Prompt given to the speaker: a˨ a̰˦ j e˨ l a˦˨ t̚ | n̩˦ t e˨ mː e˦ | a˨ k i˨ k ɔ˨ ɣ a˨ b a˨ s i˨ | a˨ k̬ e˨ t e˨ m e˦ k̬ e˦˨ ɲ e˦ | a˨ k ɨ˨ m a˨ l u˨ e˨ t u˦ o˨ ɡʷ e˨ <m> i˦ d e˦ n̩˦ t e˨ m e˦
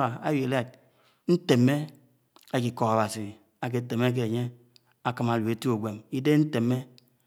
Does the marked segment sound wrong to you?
no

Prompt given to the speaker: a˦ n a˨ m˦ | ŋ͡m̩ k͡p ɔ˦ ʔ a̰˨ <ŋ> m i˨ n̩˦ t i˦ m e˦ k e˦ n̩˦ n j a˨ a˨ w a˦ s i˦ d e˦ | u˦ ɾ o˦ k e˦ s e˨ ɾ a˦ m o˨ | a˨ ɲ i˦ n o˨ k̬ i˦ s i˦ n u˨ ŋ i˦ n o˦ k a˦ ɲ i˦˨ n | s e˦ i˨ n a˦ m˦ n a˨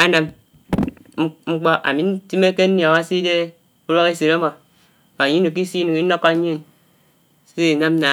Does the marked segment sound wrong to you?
yes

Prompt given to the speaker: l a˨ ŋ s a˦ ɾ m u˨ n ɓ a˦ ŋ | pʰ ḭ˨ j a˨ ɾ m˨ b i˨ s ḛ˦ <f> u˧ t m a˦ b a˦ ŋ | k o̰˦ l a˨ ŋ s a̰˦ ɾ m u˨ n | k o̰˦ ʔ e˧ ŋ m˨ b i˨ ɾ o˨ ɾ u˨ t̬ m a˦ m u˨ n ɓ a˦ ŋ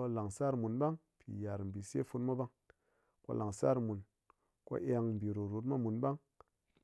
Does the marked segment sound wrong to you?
no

